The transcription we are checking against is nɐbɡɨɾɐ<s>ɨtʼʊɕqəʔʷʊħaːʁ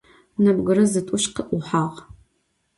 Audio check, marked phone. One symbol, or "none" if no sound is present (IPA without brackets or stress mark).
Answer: z